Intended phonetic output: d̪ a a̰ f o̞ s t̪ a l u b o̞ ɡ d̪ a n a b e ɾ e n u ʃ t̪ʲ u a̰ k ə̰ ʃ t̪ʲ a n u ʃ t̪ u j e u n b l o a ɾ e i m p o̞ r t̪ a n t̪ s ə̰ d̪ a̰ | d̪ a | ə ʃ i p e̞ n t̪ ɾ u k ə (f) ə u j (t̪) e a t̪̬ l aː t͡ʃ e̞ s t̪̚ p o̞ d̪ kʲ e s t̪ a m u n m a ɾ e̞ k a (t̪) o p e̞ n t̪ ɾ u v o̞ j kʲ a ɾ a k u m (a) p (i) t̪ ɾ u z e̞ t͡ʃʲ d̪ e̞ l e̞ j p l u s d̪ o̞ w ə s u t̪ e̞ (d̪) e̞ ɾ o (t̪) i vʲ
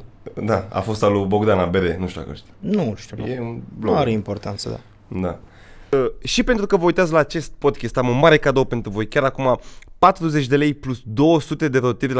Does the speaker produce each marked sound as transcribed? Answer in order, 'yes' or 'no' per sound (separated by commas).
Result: no, yes, no, yes, no, yes, yes